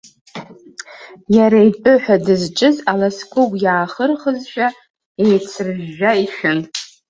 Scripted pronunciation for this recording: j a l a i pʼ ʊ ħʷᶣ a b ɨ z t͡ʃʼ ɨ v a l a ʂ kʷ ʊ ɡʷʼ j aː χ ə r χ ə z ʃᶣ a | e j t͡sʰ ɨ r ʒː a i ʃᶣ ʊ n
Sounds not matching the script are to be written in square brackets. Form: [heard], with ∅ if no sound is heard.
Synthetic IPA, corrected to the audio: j a [ɾ] a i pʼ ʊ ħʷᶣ a [d] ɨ z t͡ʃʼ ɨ [z] a l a [s] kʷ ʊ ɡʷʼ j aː χ ə r χ ə z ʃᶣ a | e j t͡sʰ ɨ r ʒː a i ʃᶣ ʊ n